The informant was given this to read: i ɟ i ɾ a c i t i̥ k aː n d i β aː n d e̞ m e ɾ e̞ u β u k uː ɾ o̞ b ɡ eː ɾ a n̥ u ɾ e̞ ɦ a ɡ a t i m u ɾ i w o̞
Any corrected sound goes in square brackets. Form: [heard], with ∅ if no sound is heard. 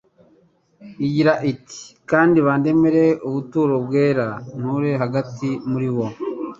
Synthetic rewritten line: i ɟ i ɾ a [ʔ] i t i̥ k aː n d i β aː n d e̞ m e ɾ e̞ u β u [t] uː ɾ o̞ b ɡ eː ɾ a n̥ u ɾ e̞ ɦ a ɡ a t i m u ɾ i w o̞